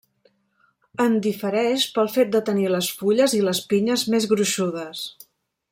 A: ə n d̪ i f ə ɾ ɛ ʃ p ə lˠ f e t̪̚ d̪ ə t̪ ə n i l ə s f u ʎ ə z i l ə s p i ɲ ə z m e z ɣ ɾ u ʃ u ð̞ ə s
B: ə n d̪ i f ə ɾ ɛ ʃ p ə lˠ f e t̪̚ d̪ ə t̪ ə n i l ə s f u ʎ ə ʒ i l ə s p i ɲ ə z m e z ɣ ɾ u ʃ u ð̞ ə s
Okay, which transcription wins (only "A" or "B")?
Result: A